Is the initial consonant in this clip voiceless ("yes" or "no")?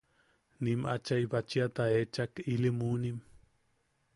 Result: no